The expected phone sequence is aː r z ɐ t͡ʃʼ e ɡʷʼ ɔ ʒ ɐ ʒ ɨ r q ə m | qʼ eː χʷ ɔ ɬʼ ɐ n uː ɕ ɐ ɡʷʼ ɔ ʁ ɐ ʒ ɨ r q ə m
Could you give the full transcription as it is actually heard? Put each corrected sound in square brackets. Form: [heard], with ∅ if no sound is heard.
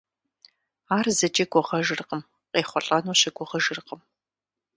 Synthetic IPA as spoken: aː r z ɐ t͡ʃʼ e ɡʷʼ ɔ [ʁ] ɐ ʒ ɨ r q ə m | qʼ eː χʷ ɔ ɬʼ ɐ n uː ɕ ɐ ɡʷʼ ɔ ʁ ɐ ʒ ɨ r q ə m